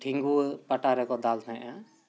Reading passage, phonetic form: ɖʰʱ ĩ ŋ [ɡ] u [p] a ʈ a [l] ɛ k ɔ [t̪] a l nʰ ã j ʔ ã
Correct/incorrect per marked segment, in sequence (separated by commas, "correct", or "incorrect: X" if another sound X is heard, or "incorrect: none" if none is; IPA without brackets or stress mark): correct, correct, incorrect: ɾ, incorrect: d̪